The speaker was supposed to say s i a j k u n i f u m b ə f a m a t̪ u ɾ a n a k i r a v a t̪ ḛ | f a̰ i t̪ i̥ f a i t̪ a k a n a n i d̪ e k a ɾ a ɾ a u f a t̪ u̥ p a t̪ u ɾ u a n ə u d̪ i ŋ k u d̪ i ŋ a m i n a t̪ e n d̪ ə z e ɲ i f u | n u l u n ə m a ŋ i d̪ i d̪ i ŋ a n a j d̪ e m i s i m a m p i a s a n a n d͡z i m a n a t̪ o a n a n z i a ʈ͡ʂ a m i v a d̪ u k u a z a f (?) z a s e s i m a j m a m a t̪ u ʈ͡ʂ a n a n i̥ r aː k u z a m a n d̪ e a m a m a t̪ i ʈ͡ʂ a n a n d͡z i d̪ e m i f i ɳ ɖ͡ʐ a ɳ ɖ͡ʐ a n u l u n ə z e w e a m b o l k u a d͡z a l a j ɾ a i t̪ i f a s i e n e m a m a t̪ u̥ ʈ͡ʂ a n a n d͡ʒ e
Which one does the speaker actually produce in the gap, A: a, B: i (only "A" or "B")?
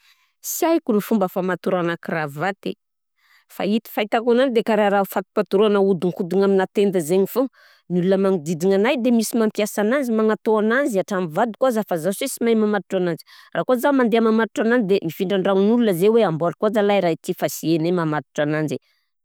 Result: A